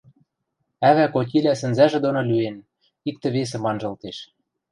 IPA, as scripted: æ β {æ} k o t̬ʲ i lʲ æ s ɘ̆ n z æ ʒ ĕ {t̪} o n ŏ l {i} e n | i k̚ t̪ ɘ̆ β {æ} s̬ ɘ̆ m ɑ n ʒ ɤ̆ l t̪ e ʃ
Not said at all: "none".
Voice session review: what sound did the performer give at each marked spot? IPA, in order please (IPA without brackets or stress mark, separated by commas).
æ, d̪, y, e